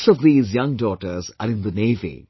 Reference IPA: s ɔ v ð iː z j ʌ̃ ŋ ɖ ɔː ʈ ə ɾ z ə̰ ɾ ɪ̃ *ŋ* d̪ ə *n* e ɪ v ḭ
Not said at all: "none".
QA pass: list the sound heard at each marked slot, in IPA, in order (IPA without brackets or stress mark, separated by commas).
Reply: n, n